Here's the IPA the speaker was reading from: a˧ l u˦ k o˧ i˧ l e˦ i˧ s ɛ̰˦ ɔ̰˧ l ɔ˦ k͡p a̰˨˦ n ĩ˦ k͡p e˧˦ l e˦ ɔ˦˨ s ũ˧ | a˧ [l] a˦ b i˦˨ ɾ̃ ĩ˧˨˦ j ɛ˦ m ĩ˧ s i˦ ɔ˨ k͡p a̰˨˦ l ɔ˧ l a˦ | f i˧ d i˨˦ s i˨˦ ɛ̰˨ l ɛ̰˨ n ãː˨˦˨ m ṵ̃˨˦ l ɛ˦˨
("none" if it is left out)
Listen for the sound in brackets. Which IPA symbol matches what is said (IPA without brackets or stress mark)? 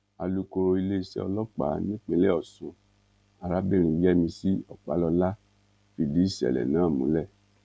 ɾ